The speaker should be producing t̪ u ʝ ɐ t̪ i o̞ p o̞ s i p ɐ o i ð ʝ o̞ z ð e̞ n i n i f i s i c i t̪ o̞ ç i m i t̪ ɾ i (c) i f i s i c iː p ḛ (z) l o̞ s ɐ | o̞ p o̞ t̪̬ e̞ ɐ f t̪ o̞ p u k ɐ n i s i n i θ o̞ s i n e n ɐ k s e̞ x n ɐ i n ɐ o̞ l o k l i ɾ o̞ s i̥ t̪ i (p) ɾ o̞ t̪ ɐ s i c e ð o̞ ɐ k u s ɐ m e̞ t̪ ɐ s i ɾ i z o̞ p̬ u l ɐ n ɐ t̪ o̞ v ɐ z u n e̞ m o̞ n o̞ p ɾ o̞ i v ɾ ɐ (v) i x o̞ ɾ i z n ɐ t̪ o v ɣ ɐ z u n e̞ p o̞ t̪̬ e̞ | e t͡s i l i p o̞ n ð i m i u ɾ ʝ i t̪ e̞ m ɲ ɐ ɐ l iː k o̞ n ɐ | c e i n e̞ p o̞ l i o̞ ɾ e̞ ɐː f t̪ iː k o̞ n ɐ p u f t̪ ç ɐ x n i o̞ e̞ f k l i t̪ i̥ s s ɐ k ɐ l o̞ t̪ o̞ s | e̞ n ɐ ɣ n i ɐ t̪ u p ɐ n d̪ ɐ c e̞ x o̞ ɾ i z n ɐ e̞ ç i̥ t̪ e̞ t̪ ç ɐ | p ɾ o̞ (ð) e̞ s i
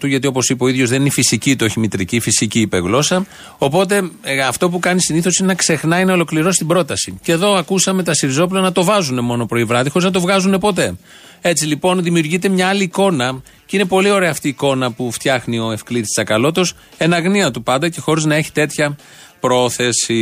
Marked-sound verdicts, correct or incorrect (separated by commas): correct, incorrect, incorrect, incorrect, incorrect